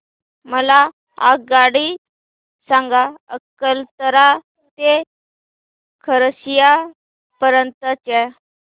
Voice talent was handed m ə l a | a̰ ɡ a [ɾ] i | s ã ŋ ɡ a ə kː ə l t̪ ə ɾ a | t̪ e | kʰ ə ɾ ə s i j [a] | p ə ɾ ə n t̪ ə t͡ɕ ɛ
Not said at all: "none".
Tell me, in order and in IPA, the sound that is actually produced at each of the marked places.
ɽ, a

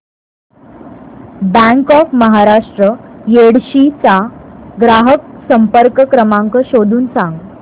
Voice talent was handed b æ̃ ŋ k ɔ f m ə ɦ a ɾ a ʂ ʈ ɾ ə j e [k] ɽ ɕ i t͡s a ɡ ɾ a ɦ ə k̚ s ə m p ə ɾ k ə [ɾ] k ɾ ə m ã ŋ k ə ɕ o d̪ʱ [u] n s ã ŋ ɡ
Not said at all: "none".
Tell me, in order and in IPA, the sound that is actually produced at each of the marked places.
none, none, uː

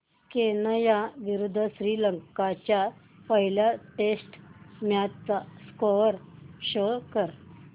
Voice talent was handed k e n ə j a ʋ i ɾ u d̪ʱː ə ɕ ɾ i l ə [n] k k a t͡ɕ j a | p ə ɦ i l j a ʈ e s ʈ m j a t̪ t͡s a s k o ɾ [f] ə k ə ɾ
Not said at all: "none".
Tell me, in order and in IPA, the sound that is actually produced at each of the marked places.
ŋ, ɕ

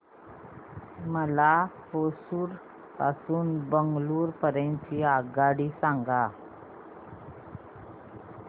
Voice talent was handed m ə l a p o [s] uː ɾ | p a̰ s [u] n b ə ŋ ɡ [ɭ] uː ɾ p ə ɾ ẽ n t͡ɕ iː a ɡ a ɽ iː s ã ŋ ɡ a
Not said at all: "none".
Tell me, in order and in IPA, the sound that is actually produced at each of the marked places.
s, uː, l

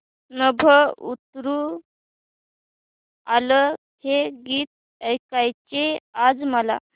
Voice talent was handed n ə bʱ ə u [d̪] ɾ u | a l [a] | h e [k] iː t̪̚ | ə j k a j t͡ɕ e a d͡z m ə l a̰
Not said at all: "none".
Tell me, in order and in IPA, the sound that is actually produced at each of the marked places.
t̪, ə, ɡ

